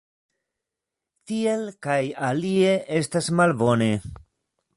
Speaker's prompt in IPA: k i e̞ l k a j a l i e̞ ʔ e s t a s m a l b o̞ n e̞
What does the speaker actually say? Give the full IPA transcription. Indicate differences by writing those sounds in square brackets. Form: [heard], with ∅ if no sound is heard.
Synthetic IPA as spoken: [t] i e̞ l k a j a l i e̞ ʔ e s t a s m a l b o̞ n e̞